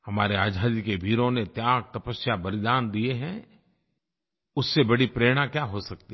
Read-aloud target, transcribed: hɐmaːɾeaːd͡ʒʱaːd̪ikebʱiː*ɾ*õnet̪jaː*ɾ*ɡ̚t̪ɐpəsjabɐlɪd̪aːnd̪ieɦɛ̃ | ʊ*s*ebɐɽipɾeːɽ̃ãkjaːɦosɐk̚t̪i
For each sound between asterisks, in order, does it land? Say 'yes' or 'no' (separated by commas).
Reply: yes, no, no